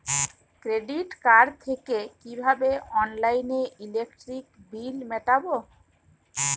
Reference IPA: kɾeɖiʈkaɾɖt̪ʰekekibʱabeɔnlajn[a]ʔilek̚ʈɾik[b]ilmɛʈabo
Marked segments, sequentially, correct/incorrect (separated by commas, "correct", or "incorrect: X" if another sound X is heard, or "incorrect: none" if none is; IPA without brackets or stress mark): incorrect: e, correct